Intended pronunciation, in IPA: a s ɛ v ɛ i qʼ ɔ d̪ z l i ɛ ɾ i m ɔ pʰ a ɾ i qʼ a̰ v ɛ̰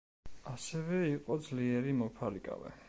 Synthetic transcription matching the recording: a s ɛ v ɛ i qʼ ɔ d̪ z l i ɛ ɾ i m ɔ pʰ a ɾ i kʼ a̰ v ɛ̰